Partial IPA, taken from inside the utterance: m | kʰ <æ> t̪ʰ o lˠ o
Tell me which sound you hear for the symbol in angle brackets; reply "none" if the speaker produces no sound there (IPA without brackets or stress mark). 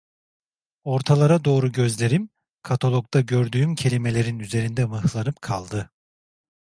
a